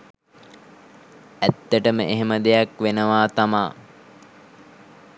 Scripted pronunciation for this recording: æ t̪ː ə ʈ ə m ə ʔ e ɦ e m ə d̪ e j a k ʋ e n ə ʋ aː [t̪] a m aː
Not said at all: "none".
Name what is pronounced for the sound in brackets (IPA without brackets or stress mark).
t̪